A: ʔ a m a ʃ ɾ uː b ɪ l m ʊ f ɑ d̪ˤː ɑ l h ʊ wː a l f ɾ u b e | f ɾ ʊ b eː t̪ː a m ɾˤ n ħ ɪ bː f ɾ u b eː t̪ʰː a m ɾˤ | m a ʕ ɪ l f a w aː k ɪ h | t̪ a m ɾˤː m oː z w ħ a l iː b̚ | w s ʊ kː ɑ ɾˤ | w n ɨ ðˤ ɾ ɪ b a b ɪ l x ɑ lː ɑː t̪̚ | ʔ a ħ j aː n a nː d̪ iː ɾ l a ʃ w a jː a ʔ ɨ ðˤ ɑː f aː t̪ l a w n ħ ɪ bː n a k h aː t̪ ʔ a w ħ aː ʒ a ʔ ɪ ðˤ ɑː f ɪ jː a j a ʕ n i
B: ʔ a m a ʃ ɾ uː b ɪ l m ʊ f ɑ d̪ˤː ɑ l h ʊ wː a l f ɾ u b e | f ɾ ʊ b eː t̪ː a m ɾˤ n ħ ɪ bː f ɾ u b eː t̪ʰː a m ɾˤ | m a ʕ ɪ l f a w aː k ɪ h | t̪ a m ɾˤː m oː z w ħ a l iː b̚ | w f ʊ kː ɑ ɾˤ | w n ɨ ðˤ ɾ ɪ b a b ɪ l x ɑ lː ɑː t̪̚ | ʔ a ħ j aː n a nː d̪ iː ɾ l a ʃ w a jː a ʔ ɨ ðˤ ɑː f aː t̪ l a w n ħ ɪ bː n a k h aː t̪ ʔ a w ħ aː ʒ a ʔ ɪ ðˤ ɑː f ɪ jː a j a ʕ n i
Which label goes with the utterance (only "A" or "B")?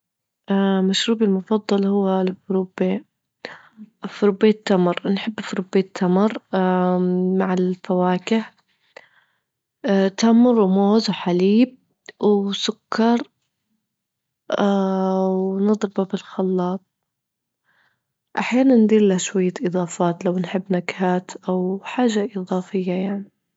A